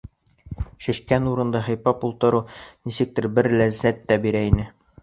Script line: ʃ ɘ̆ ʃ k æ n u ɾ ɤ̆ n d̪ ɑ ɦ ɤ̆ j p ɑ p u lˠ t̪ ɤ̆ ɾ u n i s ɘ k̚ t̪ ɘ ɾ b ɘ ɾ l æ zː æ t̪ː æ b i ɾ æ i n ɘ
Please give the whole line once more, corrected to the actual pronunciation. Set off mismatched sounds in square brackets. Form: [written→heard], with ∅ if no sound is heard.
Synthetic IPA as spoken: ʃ ɘ̆ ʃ k æ n u ɾ ɤ̆ n d̪ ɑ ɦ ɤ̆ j p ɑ p u lˠ t̪ ɤ̆ ɾ u n i s ɘ k̚ t̪ ɘ ɾ b ɘ ɾ l æ zː æ t̪ː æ b i ɾ æ i n ɘ